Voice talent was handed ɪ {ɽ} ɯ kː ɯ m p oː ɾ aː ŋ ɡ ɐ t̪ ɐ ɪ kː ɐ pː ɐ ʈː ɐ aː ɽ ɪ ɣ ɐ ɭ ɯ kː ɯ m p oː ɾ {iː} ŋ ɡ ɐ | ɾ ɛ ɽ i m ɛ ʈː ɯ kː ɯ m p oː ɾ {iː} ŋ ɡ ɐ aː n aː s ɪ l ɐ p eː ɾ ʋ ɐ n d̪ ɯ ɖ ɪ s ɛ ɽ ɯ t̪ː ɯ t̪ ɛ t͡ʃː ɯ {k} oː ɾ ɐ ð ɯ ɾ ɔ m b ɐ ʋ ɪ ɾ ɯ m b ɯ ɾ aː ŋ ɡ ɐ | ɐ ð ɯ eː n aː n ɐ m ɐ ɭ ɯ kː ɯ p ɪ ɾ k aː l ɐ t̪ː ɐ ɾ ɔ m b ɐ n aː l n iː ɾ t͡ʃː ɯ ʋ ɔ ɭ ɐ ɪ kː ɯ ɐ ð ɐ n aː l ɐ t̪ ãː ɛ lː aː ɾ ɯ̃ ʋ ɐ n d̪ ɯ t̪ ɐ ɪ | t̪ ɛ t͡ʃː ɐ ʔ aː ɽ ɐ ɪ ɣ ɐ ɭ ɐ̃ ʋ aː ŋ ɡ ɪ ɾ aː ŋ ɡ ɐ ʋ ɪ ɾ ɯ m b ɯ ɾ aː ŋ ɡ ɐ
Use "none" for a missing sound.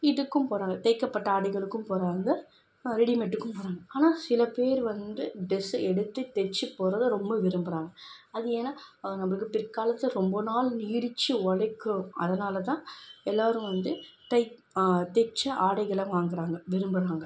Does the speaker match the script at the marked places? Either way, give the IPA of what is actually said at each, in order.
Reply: ɽ, aː, aː, p

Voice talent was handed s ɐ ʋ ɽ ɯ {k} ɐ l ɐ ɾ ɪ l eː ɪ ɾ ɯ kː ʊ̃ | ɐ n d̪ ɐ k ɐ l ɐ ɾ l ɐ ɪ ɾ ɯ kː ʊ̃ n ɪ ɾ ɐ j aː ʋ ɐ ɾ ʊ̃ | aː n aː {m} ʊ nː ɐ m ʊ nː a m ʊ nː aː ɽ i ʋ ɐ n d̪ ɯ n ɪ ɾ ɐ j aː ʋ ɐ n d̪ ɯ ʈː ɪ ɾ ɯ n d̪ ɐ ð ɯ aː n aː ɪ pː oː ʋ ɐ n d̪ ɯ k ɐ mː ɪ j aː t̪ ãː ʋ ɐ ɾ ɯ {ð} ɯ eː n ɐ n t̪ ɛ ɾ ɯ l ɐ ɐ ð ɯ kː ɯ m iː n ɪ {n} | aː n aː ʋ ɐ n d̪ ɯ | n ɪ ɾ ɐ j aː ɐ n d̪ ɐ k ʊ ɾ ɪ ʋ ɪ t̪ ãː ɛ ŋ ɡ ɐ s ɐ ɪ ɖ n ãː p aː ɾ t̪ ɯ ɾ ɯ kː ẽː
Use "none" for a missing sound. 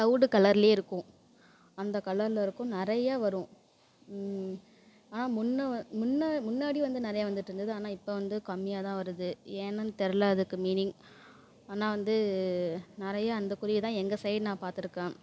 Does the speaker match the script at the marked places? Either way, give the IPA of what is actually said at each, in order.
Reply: k, m, ð, ŋ

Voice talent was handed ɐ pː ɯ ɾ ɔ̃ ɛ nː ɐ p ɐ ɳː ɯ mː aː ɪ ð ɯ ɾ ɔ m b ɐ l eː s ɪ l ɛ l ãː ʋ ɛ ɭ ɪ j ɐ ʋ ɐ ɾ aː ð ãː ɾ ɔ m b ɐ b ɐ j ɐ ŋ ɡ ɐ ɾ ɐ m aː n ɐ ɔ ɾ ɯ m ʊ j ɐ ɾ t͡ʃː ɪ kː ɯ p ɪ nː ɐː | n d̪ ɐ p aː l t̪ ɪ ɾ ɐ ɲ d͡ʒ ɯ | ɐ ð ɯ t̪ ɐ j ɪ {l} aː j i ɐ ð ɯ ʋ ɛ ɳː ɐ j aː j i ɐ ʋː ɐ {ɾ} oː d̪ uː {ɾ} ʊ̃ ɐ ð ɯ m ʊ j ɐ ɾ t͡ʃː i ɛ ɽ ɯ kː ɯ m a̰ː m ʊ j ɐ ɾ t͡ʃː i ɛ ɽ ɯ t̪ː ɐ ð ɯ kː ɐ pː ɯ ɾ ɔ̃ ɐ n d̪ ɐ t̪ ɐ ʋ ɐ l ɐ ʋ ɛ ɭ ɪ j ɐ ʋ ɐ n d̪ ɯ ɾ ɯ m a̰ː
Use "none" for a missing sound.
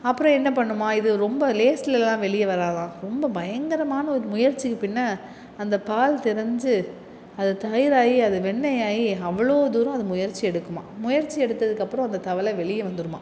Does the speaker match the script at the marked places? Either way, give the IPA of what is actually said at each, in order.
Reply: ɾ, ɭ, ɾ

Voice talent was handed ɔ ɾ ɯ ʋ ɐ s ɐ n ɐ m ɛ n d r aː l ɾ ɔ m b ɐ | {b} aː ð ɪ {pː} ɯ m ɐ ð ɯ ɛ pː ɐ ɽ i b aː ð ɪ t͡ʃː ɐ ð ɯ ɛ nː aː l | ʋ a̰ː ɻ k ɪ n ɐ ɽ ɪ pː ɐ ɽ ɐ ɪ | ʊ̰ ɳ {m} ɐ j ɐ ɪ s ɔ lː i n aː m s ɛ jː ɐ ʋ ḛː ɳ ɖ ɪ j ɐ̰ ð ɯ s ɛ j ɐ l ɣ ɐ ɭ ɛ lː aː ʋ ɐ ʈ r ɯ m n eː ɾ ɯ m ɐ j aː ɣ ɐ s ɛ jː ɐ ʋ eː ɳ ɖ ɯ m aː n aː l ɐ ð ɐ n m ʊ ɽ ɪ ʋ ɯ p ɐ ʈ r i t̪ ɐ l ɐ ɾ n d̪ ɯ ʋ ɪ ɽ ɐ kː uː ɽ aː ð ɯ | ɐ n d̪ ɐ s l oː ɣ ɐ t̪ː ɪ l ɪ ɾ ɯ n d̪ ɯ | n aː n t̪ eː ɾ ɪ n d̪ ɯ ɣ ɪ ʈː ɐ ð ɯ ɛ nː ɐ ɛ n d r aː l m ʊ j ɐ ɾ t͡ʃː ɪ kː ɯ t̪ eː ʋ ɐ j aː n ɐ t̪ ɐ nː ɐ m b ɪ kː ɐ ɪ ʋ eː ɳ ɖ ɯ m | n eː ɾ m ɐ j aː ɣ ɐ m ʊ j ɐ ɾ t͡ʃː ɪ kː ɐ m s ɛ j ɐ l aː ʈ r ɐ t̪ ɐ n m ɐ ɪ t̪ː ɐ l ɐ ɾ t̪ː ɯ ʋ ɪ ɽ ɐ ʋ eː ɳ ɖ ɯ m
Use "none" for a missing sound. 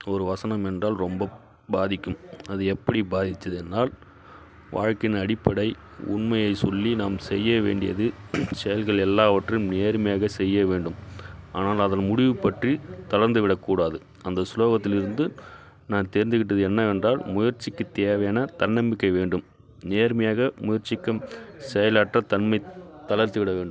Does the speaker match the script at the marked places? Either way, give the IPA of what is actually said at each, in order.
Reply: b, kː, m

